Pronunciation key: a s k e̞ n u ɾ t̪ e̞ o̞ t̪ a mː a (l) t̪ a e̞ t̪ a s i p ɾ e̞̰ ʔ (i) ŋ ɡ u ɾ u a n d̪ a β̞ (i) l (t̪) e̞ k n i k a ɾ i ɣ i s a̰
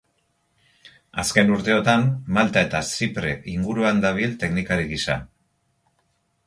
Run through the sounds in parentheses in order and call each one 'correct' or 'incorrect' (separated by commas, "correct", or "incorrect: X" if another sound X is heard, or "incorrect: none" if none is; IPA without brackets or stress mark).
correct, correct, correct, correct